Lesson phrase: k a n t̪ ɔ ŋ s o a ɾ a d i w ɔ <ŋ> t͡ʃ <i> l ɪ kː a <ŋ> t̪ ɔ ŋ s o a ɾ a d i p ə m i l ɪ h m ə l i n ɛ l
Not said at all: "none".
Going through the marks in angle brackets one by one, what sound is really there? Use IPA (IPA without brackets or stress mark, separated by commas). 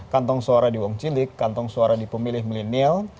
ŋ, i, n